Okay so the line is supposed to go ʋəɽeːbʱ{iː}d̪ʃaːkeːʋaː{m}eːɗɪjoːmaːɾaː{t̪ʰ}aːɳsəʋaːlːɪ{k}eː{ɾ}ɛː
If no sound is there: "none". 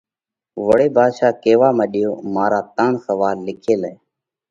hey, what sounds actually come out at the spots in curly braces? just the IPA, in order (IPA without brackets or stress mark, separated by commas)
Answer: aː, m, t̪, kʰ, l